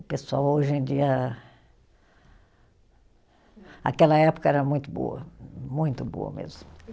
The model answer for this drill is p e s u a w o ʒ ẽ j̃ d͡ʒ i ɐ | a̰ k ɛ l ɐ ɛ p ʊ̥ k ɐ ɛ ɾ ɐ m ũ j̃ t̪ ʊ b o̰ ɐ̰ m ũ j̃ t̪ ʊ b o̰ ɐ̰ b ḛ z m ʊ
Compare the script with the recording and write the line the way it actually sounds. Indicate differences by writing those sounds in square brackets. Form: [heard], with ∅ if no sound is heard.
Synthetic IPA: p e s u a w o ʒ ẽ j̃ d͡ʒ i ɐ | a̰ k ɛ l ɐ ɛ p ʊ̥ k ɐ ɛ ɾ ɐ m ũ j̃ t̪ ʊ b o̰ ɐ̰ m ũ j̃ t̪ ʊ b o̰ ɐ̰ [m] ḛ z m ʊ